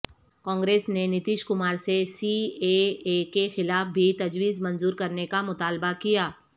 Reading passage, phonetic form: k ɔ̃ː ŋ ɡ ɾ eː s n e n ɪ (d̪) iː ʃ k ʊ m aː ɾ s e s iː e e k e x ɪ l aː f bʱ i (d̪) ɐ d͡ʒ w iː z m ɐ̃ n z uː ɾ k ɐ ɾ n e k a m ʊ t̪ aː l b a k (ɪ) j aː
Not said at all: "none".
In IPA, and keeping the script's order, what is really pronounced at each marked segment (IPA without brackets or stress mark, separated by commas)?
t̪, t̪, i